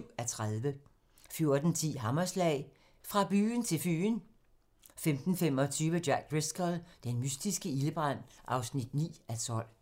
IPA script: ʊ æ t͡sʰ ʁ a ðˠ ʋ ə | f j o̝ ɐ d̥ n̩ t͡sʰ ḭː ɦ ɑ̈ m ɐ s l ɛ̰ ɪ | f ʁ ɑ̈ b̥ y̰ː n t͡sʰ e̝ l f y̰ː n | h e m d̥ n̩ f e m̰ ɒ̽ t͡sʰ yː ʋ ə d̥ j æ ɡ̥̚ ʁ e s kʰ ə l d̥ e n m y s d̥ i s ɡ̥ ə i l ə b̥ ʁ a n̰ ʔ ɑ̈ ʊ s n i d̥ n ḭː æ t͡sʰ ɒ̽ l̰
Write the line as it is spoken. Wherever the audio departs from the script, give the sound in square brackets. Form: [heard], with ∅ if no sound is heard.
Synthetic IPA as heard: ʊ æ t͡sʰ ʁ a ðˠ ʋ ə | f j o̝ ɐ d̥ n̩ t͡sʰ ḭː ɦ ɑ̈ m ɐ s l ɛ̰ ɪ | f ʁ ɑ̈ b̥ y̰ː n t͡sʰ e̝ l f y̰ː n | [f] e m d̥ n̩ f e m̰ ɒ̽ t͡sʰ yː ʋ ə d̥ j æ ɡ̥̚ ʁ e s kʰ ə l d̥ e n m y s d̥ i s ɡ̥ ə i l ə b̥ ʁ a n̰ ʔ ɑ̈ ʊ s n i d̥ n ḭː æ t͡sʰ ɒ̽ l̰